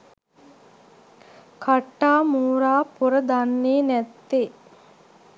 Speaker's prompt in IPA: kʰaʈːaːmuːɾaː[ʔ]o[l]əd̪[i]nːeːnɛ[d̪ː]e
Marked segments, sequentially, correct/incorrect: incorrect, incorrect, incorrect, incorrect

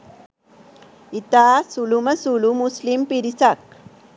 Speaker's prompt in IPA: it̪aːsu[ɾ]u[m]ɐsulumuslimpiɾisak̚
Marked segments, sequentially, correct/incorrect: incorrect, correct

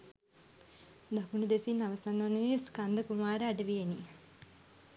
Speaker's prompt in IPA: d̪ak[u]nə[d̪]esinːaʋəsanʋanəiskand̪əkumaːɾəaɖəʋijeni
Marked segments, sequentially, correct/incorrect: correct, correct

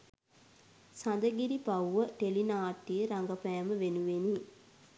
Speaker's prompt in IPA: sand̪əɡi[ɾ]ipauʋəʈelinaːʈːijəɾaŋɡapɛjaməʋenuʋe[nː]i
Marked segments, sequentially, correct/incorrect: correct, incorrect

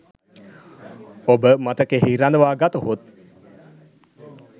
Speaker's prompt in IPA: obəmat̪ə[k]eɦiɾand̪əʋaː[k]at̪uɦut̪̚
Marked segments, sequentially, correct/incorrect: correct, incorrect

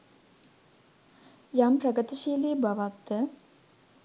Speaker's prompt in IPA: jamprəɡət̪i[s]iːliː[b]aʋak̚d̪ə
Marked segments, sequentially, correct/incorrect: incorrect, correct

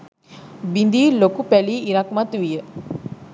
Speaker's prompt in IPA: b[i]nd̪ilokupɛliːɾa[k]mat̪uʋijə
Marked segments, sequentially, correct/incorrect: correct, correct

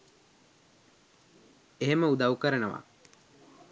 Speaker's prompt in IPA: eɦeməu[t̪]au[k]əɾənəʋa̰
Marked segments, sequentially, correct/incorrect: incorrect, correct

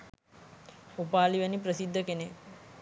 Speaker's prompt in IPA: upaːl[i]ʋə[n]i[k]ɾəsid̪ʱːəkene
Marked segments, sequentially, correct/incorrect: correct, correct, incorrect

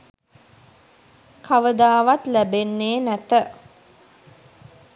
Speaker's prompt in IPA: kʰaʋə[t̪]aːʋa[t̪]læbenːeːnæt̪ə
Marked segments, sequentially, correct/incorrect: incorrect, correct

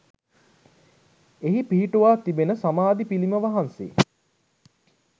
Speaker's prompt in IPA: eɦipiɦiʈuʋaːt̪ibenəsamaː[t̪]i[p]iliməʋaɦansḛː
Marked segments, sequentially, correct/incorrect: incorrect, correct

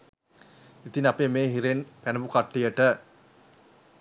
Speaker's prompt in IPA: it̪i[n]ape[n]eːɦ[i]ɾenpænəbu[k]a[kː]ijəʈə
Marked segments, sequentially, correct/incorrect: correct, incorrect, correct, correct, incorrect

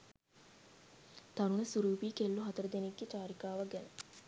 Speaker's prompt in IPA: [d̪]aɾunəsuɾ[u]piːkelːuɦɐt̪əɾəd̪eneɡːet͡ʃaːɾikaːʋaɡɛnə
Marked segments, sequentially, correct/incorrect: incorrect, incorrect

